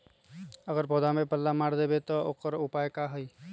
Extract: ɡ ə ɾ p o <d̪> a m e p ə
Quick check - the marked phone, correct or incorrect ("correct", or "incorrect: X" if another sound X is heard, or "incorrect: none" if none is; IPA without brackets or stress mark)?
correct